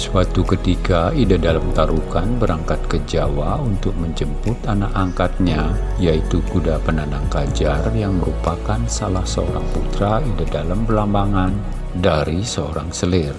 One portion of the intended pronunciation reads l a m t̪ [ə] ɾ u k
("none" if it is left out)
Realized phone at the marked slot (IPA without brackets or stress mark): a